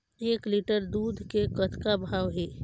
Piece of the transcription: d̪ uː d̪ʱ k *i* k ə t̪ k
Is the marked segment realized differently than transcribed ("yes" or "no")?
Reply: yes